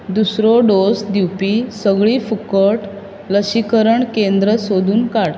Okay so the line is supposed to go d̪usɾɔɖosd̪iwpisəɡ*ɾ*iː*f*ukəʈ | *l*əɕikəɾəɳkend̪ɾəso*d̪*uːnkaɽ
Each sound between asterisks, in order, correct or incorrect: incorrect, correct, correct, correct

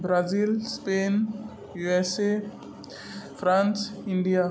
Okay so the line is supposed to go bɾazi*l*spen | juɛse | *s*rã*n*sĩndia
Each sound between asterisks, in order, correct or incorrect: correct, incorrect, correct

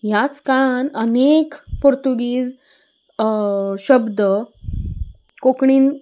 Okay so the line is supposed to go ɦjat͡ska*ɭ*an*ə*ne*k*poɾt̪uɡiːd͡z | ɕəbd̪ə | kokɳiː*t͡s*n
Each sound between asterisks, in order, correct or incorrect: correct, correct, correct, incorrect

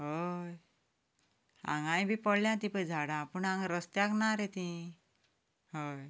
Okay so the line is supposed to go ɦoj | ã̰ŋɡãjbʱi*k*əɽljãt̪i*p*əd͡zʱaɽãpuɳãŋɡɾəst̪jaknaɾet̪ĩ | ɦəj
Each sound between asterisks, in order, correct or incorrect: incorrect, correct

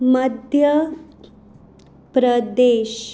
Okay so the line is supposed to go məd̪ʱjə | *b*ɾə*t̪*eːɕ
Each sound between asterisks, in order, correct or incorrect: incorrect, incorrect

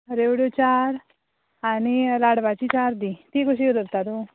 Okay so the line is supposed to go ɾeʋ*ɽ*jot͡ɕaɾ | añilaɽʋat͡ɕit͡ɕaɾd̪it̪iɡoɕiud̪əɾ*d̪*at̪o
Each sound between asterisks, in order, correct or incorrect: correct, incorrect

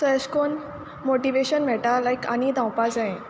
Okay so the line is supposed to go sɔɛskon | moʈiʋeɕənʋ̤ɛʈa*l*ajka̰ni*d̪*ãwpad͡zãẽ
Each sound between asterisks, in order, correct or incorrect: correct, correct

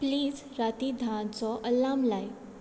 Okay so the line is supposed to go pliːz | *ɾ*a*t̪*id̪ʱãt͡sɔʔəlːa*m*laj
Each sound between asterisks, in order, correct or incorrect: correct, correct, correct

